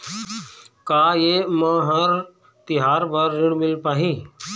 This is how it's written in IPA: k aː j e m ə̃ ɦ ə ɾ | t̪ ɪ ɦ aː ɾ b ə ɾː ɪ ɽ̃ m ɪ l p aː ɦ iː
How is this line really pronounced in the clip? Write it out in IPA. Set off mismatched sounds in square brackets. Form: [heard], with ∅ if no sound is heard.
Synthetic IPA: k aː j e m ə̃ ɦ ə ɾ | t̪ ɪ ɦ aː ɾ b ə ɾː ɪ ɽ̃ m ɪ l p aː ɦ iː